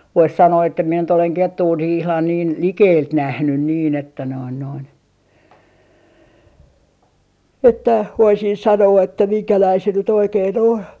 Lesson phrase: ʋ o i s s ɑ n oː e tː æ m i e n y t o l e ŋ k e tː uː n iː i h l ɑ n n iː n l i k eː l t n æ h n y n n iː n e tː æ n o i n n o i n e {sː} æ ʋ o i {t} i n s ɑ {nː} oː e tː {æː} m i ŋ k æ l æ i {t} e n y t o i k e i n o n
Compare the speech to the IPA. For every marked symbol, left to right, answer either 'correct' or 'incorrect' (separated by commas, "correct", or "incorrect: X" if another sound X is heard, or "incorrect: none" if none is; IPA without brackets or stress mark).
incorrect: tː, incorrect: s, incorrect: n, incorrect: æ, incorrect: s